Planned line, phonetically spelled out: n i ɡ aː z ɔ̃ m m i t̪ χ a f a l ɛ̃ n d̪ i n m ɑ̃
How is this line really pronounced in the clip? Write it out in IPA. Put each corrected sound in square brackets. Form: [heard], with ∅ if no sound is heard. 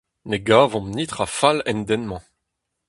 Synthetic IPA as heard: n [e] ɡ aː [v] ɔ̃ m [n] i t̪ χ a f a l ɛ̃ n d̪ [ɛ] n m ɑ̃